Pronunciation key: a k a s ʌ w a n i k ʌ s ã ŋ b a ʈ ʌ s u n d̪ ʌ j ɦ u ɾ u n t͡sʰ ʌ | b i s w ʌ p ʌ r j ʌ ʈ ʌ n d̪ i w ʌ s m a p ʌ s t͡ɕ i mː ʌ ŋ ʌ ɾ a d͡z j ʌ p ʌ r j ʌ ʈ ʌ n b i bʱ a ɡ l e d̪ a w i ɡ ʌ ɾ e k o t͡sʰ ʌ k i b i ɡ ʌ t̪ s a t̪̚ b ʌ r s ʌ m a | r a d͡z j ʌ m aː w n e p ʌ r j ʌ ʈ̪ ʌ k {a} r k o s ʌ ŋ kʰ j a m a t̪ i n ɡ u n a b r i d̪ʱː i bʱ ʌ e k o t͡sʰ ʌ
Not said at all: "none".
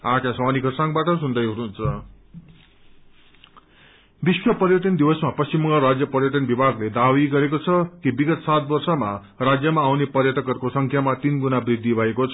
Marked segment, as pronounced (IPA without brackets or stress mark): ʌ